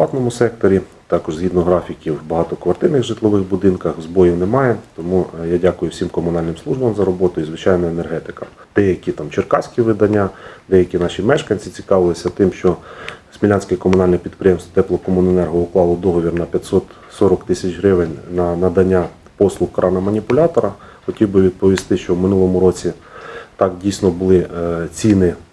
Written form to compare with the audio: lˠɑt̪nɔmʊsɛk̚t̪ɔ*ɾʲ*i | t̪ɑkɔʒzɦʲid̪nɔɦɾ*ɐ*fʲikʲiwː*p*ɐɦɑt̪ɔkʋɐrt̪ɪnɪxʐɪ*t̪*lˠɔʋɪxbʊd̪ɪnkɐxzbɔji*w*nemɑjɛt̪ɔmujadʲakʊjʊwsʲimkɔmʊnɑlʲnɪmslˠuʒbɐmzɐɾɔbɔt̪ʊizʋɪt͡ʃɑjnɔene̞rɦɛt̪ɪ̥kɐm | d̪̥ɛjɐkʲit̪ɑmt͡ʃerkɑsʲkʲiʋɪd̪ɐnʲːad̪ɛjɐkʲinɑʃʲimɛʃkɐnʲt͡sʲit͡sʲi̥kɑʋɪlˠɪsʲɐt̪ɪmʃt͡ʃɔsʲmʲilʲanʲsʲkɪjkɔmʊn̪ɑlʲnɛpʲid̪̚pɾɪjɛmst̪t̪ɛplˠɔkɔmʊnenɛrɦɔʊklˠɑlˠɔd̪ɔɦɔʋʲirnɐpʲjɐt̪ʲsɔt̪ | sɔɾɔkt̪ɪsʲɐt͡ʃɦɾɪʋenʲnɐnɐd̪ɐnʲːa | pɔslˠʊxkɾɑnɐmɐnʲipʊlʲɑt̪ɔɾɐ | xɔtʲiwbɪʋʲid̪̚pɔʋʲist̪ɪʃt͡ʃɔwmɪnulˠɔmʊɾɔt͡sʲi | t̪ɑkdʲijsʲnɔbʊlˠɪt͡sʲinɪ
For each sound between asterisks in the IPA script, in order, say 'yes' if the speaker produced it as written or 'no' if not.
yes, no, no, yes, yes

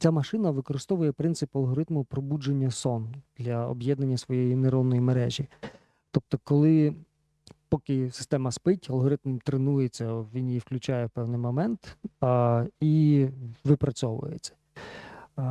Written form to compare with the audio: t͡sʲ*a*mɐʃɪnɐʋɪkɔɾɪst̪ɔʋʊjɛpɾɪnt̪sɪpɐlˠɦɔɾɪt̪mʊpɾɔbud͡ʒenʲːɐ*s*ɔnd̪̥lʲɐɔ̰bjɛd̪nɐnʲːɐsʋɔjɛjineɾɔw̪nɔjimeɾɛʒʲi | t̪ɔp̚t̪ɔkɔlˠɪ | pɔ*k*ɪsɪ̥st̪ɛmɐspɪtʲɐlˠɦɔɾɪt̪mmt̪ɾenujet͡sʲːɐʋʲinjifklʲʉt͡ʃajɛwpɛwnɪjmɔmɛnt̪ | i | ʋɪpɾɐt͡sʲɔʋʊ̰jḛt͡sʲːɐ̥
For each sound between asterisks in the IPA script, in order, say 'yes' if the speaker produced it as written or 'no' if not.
yes, yes, yes

